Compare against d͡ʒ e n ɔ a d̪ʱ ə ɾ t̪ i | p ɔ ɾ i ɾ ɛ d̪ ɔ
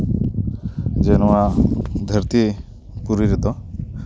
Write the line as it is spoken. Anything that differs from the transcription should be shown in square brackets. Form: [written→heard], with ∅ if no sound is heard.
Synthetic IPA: d͡ʒ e n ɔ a d̪ʱ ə ɾ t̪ i | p [ɔ→u] ɾ i ɾ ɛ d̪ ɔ